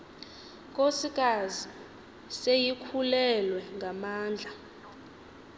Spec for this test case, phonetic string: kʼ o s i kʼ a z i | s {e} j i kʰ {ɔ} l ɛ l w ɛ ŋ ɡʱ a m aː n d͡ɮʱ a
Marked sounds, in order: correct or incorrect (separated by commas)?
correct, incorrect